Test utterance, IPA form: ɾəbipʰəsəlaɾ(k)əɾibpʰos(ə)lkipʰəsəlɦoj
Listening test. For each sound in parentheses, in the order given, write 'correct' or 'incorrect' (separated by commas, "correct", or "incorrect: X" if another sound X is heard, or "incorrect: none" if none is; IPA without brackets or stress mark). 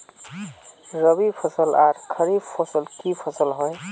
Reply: incorrect: kʰ, correct